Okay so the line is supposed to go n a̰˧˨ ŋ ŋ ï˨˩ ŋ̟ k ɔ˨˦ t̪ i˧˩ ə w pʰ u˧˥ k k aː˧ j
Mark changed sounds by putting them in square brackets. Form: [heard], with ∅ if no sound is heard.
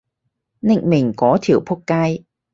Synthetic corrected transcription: n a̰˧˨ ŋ [m] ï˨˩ ŋ̟ k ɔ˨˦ [t̪ʰ] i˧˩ ə w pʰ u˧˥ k k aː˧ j